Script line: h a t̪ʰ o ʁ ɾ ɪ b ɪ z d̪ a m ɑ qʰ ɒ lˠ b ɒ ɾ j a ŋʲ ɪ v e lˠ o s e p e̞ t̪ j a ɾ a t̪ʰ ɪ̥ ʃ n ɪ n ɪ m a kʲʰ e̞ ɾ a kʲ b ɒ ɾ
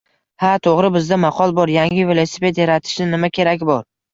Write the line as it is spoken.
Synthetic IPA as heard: h a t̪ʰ o ʁ ɾ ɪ b ɪ z d̪ a m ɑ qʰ ɒ lˠ b ɒ ɾ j a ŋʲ ɪ v e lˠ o s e p e̞ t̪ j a ɾ a t̪ʰ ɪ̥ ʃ n ɪ n ɪ m a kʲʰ e̞ ɾ a kʲ b ɒ ɾ